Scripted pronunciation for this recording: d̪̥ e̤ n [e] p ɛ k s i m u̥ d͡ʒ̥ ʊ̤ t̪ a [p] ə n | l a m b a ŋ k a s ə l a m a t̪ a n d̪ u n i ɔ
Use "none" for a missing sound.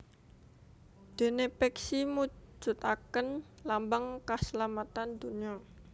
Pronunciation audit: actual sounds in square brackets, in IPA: e, k

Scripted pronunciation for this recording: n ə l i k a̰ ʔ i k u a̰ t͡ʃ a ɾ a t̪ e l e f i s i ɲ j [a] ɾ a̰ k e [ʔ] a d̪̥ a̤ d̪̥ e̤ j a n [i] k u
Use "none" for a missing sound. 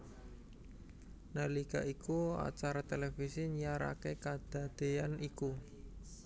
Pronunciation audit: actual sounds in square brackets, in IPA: a, k, i

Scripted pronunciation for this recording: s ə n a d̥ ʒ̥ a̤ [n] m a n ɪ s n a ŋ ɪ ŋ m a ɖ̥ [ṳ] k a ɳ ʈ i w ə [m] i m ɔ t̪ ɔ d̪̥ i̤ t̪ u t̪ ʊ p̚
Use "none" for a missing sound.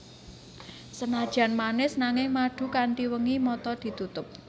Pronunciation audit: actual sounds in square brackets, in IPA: n, ṳ, ŋ

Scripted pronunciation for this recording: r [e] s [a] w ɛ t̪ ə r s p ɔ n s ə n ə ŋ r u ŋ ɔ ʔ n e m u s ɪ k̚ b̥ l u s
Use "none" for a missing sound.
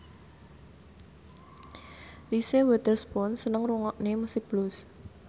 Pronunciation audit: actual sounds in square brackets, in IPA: i, e

